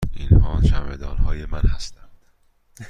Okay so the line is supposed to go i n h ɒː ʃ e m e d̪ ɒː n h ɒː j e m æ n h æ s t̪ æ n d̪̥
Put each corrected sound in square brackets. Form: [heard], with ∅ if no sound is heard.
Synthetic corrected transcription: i n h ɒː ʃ [æ] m e d̪ ɒː n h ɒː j e m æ n h æ s t̪ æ n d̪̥